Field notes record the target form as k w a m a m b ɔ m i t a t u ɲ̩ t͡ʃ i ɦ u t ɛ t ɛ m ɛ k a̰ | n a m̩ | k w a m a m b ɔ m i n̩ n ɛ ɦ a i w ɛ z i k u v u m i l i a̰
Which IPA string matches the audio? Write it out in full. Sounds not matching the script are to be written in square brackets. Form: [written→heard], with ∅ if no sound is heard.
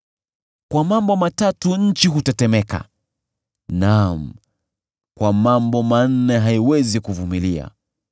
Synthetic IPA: k w a m a m b ɔ m [i→a] t a t u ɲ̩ t͡ʃ i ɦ u t ɛ t ɛ m ɛ k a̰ | n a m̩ | k w a m a m b ɔ m [i→a] n̩ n ɛ ɦ a i w ɛ z i k u v u m i l i a̰